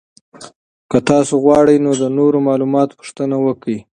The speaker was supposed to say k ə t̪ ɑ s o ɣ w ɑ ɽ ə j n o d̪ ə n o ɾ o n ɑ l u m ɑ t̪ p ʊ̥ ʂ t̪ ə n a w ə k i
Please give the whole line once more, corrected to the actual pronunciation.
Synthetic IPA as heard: k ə t̪ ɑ s o ɣ w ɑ ɽ ə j n o d̪ ə n o ɾ o m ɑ l u m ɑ t̪ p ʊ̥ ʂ t̪ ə n a w ə k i